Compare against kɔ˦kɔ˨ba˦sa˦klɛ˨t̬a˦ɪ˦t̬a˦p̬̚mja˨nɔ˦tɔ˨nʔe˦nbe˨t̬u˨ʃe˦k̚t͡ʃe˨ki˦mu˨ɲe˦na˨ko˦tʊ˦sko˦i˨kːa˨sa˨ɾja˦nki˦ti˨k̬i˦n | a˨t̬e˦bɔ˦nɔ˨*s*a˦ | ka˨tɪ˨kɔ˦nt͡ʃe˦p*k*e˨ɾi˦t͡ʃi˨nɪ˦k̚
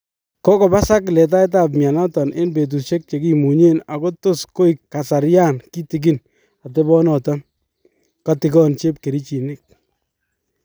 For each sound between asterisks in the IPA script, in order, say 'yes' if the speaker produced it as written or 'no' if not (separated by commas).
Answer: no, yes